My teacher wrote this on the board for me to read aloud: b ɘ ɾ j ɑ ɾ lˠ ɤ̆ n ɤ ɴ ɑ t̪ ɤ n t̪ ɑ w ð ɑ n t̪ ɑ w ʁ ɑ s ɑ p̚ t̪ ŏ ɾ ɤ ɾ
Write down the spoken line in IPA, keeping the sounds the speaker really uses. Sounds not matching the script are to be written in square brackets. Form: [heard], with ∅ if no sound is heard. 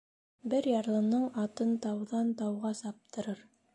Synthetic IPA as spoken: b ɘ ɾ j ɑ ɾ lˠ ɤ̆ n ɤ ɴ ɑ t̪ ɤ n t̪ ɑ w ð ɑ n t̪ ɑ w ʁ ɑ s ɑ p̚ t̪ [ɤ̆] ɾ ɤ ɾ